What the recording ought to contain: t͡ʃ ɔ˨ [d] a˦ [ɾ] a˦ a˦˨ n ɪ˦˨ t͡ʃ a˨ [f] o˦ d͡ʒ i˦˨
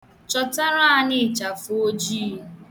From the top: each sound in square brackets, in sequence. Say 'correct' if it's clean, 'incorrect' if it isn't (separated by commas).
incorrect, correct, correct